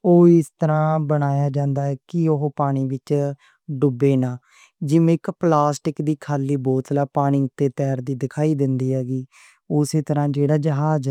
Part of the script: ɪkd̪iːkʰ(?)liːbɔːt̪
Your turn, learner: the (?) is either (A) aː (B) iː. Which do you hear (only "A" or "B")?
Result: A